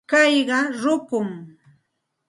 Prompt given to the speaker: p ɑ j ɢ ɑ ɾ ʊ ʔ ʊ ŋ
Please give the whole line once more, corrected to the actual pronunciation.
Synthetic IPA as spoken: k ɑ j ɢ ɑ ɾ ʊ k ʊ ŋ